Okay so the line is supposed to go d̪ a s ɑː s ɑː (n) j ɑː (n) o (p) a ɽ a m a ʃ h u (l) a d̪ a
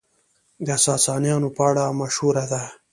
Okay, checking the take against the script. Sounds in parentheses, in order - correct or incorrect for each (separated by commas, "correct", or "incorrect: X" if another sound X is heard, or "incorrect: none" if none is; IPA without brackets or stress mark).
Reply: correct, correct, correct, incorrect: ɾ